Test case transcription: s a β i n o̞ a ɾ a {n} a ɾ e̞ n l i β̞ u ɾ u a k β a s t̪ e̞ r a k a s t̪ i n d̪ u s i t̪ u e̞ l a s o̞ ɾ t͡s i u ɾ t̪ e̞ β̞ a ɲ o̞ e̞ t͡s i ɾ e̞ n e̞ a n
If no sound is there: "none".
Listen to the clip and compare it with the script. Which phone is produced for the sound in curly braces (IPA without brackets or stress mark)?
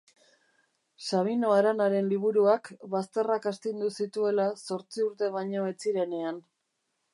n